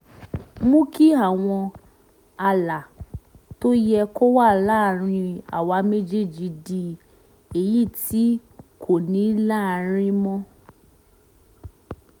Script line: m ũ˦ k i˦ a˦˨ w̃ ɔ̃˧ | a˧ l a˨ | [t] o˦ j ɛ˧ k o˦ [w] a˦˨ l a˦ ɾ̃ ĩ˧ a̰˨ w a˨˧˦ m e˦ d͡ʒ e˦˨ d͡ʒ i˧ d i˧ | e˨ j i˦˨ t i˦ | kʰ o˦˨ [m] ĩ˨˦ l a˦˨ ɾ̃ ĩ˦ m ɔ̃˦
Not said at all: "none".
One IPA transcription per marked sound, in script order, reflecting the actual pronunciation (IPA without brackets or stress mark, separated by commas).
t, w, n